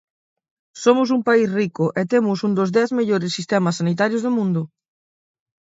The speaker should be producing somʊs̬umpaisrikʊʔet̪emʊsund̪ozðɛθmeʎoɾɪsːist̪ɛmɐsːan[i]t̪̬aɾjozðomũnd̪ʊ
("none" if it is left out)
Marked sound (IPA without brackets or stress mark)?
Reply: i